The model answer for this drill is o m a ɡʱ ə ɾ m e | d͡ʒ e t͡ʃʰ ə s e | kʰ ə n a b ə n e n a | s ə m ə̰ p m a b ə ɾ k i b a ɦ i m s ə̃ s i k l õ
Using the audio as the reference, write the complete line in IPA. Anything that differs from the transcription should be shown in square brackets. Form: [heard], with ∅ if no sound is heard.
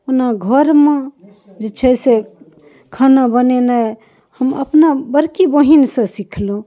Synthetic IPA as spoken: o [n] a ɡʱ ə ɾ m e | d͡ʒ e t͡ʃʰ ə s e | kʰ [a] n a b ə n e n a | [h] ə m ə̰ p [n] a b ə ɾ k i b [ə] ɦ i [n] s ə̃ s i [kʰ] l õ